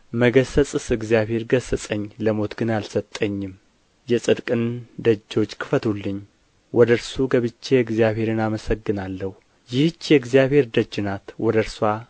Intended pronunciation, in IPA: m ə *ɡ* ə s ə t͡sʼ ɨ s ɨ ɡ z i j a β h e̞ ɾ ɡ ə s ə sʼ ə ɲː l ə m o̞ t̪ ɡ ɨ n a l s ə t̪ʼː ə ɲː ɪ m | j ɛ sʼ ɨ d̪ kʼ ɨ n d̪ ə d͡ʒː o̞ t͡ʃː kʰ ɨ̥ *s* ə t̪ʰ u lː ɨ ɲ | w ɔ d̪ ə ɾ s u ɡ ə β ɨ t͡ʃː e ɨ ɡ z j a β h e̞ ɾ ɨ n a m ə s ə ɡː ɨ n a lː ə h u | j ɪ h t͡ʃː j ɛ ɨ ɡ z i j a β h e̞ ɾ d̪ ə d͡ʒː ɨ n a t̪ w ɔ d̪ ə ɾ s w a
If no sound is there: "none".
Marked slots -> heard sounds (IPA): ɡ, f

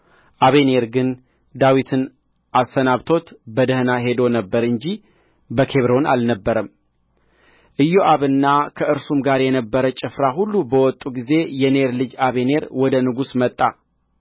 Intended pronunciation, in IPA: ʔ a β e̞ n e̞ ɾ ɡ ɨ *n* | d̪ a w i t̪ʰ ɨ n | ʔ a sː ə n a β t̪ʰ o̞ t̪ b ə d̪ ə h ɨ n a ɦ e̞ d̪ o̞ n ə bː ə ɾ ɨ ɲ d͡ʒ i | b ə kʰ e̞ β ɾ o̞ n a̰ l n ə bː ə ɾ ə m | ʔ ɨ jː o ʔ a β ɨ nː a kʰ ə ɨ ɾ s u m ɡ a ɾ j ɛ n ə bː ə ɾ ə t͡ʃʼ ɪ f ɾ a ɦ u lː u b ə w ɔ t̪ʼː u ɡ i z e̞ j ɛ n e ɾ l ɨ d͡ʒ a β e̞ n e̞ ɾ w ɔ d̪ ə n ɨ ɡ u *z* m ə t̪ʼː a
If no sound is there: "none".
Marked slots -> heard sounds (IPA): n, s

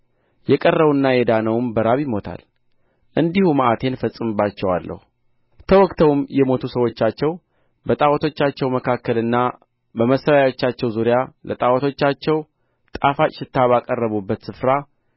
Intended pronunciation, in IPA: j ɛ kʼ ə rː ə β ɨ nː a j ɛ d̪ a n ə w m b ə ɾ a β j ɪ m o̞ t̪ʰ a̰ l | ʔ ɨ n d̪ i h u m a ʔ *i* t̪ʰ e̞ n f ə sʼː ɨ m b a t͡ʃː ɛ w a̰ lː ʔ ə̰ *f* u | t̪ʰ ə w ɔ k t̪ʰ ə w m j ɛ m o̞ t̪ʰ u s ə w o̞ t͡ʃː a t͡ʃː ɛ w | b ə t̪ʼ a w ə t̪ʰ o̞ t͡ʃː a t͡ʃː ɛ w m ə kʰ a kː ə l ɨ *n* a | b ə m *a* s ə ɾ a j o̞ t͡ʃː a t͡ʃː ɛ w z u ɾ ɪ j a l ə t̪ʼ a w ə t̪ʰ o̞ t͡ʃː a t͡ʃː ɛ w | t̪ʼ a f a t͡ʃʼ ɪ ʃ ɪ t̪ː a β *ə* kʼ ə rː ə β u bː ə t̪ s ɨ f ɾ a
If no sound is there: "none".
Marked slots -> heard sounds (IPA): a, h, nː, ə, a

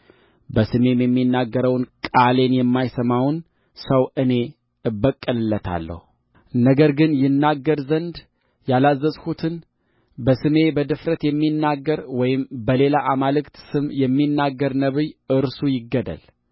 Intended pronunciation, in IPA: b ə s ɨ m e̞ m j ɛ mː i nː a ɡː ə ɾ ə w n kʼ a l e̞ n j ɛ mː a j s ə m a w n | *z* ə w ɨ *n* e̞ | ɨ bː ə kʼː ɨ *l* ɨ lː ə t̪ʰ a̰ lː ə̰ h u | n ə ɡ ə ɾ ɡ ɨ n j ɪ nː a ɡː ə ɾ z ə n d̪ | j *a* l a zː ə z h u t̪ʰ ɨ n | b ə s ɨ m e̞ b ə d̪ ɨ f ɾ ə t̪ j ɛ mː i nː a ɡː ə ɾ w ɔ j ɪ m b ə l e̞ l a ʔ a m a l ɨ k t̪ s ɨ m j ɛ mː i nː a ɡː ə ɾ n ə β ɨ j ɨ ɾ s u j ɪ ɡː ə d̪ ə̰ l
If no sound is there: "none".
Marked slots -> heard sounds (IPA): s, n, l, a

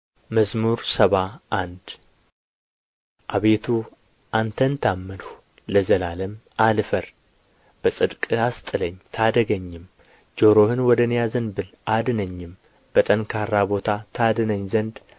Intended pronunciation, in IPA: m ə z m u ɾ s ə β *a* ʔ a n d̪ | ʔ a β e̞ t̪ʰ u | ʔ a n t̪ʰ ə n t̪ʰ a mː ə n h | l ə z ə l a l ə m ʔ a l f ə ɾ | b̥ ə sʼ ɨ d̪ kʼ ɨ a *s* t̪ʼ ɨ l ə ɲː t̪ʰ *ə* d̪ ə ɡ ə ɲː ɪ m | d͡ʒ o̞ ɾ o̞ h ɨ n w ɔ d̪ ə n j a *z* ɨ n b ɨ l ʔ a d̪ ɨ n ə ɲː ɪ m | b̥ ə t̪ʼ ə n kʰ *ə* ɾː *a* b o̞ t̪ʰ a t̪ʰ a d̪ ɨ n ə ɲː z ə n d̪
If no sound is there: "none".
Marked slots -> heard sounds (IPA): a, s, a, z, a, a

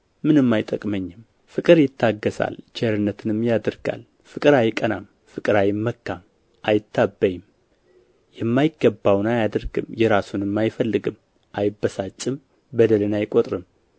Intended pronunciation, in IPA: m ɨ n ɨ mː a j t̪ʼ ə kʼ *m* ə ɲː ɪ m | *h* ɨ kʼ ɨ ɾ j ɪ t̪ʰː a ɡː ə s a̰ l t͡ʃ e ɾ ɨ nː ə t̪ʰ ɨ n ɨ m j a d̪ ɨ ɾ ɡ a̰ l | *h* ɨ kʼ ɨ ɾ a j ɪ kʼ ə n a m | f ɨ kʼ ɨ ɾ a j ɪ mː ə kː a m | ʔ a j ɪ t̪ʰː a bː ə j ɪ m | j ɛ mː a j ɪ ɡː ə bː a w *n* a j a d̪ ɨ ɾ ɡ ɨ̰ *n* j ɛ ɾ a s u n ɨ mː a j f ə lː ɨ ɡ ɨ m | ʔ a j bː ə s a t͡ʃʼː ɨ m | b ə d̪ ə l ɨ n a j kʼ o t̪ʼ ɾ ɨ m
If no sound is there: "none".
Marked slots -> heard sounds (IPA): m, f, f, n, m

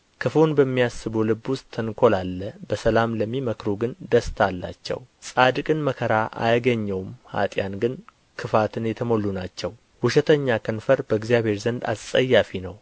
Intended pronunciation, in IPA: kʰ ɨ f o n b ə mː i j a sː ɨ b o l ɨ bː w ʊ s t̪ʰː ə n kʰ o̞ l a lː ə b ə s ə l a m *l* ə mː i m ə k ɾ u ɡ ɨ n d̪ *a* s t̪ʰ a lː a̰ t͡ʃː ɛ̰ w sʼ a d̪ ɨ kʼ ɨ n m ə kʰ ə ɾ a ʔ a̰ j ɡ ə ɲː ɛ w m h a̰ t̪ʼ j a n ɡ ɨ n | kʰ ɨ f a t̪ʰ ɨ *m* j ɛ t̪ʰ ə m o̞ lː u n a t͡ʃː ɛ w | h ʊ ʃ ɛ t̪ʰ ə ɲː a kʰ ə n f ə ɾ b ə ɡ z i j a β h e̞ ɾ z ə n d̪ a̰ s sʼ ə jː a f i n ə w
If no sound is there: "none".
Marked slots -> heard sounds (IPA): l, ə, n

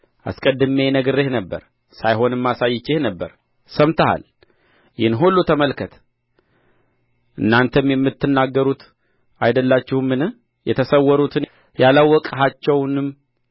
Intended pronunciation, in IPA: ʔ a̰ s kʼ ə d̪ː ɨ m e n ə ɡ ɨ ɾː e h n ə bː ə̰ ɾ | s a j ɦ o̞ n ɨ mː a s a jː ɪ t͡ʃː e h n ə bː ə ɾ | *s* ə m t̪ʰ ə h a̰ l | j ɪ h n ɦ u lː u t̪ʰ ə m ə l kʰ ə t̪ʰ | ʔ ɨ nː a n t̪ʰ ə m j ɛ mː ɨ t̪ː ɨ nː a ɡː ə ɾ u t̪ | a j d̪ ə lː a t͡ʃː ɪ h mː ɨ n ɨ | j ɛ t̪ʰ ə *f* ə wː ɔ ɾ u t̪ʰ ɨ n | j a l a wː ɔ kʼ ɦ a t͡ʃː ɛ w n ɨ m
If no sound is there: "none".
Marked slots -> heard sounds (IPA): s, s

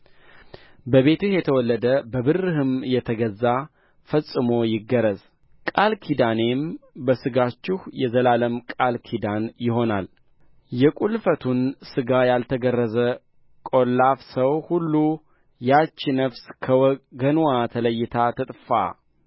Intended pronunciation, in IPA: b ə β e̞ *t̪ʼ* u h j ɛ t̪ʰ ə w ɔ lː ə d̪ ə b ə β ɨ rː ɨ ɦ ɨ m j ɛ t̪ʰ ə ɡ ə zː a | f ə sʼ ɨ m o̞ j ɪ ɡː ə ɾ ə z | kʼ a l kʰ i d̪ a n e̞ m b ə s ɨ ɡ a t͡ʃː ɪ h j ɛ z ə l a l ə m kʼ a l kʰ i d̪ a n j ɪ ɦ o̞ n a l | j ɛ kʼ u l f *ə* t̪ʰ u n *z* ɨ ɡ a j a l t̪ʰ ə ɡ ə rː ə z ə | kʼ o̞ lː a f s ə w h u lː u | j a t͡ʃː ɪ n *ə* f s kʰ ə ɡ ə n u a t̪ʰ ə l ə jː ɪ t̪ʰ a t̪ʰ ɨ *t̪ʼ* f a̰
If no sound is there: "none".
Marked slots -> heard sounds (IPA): t̪, ə, s, ə, t̪ʼ

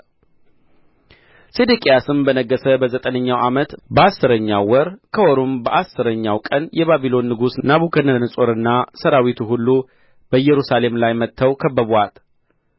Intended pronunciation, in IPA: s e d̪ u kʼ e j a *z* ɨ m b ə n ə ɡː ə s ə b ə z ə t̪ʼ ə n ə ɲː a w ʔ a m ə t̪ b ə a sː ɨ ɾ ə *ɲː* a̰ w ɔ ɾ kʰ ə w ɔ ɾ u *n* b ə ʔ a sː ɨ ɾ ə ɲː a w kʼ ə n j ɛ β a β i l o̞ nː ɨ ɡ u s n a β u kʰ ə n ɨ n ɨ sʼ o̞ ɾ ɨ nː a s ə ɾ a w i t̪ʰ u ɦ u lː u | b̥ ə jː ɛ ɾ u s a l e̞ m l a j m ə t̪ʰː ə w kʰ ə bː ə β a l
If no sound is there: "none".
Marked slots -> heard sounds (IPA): s, ɲː, m

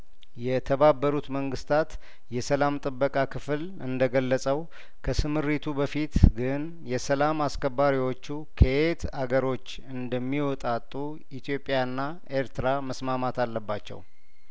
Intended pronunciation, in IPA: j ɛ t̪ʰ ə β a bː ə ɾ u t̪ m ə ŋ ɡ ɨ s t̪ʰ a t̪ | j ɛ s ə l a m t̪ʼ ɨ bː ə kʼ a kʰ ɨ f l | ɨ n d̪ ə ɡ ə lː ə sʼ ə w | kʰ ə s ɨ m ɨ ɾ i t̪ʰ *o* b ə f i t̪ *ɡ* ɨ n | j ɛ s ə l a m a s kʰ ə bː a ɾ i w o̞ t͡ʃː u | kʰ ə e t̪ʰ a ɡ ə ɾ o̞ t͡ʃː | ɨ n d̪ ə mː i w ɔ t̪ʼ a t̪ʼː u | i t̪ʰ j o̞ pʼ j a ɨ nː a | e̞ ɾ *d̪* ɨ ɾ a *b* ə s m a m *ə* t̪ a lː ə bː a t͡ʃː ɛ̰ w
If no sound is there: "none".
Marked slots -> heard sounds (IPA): u, ɡ, t̪, m, a

